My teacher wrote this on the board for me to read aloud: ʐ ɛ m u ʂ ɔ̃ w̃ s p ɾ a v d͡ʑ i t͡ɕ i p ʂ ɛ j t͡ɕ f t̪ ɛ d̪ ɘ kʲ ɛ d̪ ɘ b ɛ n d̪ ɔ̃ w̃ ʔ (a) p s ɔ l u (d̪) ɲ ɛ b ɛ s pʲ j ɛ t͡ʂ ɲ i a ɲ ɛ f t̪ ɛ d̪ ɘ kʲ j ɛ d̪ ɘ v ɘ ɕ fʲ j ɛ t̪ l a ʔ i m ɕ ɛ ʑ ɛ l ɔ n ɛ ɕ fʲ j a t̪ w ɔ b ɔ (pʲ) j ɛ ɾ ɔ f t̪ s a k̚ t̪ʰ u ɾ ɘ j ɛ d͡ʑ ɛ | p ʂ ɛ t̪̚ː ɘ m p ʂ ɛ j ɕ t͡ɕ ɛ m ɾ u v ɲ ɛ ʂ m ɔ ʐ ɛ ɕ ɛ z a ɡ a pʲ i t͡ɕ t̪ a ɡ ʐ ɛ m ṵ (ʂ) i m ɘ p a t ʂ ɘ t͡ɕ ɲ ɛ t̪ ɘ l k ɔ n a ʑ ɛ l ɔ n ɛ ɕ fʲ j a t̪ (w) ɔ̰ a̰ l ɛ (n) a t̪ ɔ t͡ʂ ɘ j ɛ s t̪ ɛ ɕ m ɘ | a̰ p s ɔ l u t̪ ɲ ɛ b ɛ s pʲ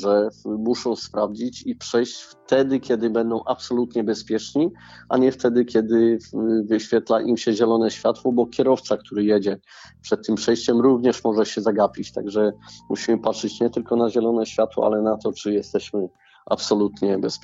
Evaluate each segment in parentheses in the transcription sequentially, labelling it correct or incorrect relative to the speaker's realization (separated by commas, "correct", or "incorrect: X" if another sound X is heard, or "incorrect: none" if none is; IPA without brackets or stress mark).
correct, incorrect: t̪, incorrect: kʲ, incorrect: ɕ, correct, correct